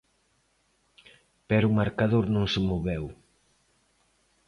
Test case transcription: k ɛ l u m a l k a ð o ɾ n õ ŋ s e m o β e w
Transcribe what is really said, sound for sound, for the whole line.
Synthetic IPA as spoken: p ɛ ɾ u m a ɾ k a ð o ɾ n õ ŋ s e m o β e w

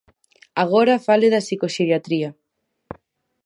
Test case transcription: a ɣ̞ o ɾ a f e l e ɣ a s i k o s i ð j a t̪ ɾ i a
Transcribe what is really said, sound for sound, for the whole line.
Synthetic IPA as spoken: a ɣ̞ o ɾ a f a l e ð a s i k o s i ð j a t̪ ɾ i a

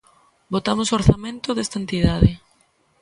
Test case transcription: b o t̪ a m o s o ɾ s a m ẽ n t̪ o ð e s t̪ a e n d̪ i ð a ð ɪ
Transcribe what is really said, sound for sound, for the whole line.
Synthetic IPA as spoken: b o t̪ a m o s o ɾ θ a m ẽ n t̪ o ð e s t̪ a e n t̪ i ð a ð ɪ

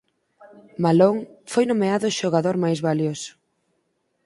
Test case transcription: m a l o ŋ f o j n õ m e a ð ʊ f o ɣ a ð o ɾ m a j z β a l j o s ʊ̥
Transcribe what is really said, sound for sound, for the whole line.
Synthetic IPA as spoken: m a l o ŋ f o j n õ m e a ð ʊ ʃ o ɣ a ð o ɾ m a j z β a l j o s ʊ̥

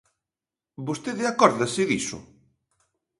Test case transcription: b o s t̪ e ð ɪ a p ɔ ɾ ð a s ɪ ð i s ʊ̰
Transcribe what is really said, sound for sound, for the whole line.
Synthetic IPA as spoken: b o s t̪ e ð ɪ a k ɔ ɾ ð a s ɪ ð i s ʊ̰

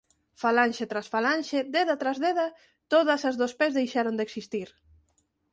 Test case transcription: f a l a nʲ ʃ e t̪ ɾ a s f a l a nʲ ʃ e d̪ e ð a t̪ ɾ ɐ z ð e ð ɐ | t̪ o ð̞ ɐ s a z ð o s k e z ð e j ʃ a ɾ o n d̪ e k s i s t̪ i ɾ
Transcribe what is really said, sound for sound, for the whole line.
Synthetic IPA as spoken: f a l a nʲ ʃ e t̪ ɾ a s f a l a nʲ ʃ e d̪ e ð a t̪ ɾ a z ð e ð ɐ | t̪ o ð̞ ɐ s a z ð o s p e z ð e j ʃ a ɾ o n d̪ e k s i s t̪ i ɾ

